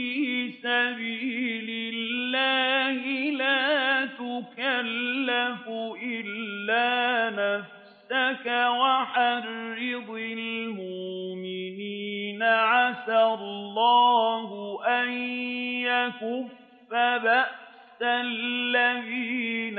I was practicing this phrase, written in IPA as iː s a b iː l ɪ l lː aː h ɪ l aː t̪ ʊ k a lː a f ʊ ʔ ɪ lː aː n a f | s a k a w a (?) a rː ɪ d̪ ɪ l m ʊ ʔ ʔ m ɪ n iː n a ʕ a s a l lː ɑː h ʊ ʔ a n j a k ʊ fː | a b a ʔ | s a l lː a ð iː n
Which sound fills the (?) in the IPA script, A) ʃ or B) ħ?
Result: B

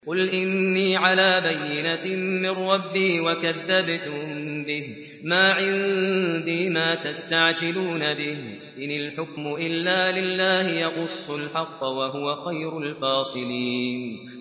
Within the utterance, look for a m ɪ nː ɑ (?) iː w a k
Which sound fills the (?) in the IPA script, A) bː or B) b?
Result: A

